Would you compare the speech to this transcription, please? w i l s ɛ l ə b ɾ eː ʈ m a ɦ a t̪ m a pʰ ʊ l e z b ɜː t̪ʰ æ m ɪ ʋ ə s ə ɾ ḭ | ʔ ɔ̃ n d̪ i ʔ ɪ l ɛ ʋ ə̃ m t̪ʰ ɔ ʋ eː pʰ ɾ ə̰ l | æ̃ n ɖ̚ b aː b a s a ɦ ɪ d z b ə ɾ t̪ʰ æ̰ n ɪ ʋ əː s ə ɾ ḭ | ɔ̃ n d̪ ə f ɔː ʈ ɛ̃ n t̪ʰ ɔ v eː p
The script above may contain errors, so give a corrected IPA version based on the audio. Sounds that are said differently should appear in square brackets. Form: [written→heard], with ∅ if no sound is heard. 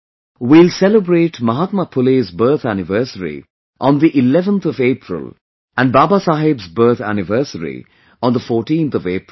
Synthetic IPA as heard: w i l s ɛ l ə b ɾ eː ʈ m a ɦ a t̪ m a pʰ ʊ l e z b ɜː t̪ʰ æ [m→n] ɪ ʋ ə s ə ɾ ḭ | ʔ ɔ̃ n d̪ i ʔ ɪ l ɛ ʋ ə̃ [m→n] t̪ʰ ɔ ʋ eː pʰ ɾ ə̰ l | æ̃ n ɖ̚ b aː b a s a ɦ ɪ [d→b] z b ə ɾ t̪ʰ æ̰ n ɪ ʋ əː s ə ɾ ḭ | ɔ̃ n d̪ ə f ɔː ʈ [ɛ̃→ĩ] n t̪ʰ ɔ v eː p